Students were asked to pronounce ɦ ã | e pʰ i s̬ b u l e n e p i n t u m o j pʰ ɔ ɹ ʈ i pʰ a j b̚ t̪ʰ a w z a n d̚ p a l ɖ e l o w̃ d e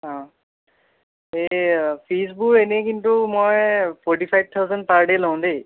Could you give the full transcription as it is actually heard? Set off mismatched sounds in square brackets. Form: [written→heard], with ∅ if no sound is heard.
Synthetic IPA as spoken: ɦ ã | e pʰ i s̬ b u [l→ɹ] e n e [p→k] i n t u m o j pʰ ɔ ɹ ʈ i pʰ a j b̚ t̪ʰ a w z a n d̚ p a [l→ɹ] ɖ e l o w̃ d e